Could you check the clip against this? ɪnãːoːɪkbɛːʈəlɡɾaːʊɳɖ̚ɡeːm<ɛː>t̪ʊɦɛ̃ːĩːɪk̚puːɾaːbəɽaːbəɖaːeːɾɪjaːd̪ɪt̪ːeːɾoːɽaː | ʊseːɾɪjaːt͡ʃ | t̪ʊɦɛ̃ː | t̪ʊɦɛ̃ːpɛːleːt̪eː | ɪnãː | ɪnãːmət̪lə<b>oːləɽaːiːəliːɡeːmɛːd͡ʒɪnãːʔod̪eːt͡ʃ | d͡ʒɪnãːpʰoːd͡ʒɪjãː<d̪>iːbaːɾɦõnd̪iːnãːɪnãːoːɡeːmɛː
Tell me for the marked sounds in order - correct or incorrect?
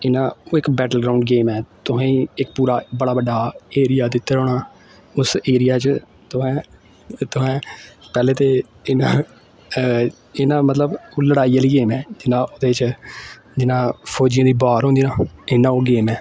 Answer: correct, correct, correct

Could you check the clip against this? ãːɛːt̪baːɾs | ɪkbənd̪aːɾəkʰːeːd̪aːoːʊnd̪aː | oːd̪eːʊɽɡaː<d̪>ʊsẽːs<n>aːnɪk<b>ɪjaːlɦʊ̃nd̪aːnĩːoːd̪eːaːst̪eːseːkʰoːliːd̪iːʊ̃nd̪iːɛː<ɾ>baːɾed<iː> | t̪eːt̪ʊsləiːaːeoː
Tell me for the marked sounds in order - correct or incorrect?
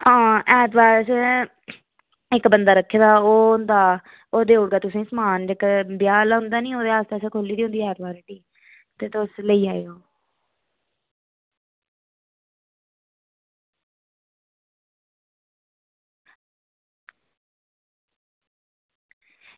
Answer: incorrect, incorrect, correct, correct, correct

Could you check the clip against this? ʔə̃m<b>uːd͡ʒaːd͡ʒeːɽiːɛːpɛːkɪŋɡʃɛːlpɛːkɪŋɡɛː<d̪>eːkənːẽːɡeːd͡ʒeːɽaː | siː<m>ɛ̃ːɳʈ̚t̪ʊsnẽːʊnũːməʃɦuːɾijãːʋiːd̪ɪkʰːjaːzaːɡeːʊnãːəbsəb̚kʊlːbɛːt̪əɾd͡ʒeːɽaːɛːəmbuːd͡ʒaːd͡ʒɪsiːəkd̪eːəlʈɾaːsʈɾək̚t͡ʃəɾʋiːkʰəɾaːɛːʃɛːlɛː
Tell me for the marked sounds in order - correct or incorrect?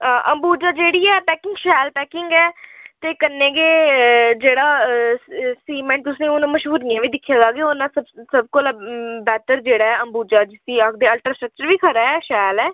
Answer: correct, incorrect, correct

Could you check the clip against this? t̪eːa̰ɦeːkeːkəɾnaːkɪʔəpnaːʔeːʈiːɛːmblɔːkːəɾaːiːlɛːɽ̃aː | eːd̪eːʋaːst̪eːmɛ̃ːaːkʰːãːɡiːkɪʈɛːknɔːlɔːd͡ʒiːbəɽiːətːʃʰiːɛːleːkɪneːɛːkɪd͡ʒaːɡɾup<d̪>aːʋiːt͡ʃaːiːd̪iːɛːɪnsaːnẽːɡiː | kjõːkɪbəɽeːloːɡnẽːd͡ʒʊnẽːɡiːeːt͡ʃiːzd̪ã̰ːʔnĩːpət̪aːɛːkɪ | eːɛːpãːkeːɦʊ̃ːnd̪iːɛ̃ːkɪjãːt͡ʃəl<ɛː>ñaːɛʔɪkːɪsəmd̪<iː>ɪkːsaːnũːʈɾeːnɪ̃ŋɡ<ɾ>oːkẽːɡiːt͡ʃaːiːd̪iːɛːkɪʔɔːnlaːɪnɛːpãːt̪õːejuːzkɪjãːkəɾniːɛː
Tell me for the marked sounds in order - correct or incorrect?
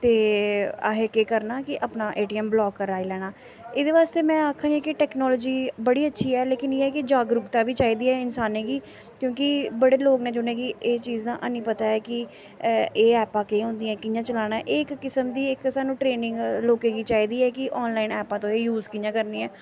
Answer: incorrect, incorrect, correct, incorrect

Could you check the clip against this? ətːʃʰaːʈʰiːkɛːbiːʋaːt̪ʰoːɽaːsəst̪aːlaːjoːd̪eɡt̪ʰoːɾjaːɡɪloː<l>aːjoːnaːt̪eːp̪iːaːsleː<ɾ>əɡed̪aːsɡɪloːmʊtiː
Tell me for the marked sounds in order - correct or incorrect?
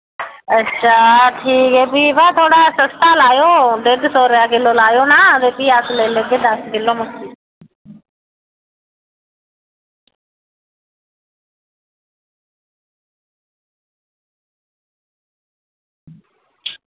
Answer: correct, incorrect

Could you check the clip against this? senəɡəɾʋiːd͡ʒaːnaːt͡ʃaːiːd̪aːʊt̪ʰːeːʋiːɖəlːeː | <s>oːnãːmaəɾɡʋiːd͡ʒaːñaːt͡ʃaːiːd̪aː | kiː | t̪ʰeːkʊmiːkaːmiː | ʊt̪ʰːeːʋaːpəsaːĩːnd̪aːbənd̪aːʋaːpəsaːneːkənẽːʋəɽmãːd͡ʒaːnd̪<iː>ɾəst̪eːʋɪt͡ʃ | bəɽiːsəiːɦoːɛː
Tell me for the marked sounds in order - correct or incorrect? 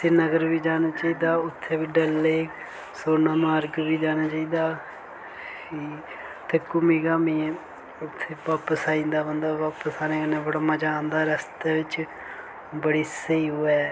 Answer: correct, incorrect

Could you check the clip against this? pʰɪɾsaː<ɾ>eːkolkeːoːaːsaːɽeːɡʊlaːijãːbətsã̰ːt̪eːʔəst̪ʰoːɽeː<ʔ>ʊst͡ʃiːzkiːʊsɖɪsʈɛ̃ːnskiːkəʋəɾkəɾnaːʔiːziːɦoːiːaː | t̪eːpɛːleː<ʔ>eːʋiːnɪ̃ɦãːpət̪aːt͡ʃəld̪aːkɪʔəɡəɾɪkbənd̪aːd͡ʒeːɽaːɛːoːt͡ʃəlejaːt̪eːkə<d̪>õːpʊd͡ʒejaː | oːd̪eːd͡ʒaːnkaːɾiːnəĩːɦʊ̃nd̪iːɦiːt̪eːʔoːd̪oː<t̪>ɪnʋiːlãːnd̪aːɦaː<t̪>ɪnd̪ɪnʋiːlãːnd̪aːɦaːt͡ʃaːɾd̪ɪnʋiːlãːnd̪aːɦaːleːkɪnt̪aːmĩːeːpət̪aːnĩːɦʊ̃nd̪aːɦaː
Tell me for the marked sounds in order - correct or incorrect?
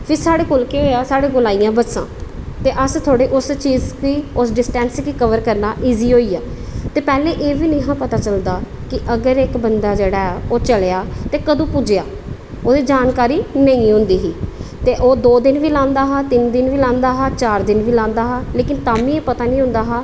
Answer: incorrect, correct, correct, correct, incorrect, correct

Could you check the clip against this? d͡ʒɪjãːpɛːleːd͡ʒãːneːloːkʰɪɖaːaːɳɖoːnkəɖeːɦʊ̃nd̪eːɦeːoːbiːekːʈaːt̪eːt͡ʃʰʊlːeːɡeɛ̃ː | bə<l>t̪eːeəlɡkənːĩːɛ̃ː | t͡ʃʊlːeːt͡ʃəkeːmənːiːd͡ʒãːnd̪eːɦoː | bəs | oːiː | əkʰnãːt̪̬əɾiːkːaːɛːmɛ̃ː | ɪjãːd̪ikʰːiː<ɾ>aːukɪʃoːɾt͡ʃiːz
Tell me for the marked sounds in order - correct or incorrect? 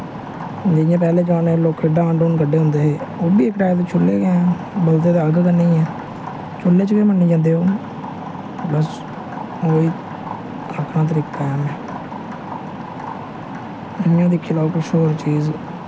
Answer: correct, incorrect

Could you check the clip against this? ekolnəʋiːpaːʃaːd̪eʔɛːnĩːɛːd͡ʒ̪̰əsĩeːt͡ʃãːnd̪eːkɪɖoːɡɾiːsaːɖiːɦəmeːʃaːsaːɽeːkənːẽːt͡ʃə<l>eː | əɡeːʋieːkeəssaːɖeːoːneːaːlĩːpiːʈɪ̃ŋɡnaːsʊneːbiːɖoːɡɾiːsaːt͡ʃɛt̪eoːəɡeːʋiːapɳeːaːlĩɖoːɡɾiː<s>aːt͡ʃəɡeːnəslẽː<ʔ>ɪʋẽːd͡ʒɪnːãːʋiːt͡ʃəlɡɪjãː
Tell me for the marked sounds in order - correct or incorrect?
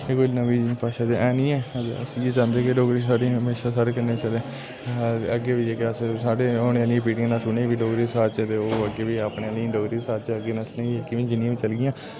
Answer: correct, correct, incorrect

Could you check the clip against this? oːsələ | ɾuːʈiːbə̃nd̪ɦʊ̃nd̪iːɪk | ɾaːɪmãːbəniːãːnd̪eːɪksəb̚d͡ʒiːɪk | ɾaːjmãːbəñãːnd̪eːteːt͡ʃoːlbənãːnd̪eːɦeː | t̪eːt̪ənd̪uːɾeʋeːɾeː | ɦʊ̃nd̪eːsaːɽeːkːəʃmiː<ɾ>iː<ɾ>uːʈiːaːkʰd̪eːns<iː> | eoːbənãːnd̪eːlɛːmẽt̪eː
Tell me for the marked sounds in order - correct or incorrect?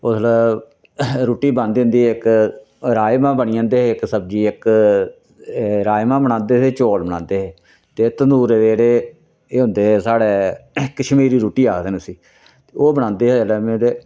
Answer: correct, correct, correct

